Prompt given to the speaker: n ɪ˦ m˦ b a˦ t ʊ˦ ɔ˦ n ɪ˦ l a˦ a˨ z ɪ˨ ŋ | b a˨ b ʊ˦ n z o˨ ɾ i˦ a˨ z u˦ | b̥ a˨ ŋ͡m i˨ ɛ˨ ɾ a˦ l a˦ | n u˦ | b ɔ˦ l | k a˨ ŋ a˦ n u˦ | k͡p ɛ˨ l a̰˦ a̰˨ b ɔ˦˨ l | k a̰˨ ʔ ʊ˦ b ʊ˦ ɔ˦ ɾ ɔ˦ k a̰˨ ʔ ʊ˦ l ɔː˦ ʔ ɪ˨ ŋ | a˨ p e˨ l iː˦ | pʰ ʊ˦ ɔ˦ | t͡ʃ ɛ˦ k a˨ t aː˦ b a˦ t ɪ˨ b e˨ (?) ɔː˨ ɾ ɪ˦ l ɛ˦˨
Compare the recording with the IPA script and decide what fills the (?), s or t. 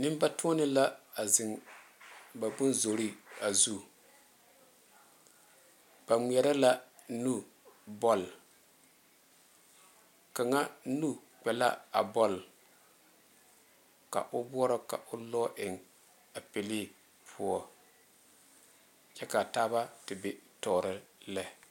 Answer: t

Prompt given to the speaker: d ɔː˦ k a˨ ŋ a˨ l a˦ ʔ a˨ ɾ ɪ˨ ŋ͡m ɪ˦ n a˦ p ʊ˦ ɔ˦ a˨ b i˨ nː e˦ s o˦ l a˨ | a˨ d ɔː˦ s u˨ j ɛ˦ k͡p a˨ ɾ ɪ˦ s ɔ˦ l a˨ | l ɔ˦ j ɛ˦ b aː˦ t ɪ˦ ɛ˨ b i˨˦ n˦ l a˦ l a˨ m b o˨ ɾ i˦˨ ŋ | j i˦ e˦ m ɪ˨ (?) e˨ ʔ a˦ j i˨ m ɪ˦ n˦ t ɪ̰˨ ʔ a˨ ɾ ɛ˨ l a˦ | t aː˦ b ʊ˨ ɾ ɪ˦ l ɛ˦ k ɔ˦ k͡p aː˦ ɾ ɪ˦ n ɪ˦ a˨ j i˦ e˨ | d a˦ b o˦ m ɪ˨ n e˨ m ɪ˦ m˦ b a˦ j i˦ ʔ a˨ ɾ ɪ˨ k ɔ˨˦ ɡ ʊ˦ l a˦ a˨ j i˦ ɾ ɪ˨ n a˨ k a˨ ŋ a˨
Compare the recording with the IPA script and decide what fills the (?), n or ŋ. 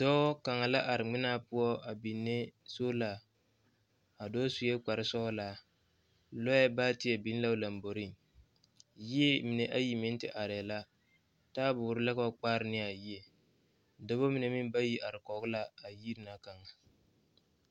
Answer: n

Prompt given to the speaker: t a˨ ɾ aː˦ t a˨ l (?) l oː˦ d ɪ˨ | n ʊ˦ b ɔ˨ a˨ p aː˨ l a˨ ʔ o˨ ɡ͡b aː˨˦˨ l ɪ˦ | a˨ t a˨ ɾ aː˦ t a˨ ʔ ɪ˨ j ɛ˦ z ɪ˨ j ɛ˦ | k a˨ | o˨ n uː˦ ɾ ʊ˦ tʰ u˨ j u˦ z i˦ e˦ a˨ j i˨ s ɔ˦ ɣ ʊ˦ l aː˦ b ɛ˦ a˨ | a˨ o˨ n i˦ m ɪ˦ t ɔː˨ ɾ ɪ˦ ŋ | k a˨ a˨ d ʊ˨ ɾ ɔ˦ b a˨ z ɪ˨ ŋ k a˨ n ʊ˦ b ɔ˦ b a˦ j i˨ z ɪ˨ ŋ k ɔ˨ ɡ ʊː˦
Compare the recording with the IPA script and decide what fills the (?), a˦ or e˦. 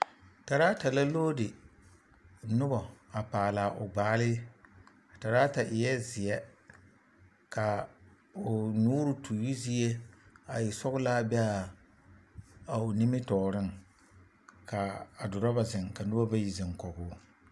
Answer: a˦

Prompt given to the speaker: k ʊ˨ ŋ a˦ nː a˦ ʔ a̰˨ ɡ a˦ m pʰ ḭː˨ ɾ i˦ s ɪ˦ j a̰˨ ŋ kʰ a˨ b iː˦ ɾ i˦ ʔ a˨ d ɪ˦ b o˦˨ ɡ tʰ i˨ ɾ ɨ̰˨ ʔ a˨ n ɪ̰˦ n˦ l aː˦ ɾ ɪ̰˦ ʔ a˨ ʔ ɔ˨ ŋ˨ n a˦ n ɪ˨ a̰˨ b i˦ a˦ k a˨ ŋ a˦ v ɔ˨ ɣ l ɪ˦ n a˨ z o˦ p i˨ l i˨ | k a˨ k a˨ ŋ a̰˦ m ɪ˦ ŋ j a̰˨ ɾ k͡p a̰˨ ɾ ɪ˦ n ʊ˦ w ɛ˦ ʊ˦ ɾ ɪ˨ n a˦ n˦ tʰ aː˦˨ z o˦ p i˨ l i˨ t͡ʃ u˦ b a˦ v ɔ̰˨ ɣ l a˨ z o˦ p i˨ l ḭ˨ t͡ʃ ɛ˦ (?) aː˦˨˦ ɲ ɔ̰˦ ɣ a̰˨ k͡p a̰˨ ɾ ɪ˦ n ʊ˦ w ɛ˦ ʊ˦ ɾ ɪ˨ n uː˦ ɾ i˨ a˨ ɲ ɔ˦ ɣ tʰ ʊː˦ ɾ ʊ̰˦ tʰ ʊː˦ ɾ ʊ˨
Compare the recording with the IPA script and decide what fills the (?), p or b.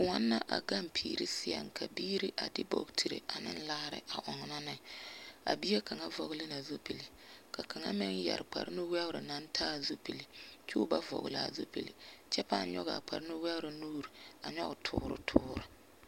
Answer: p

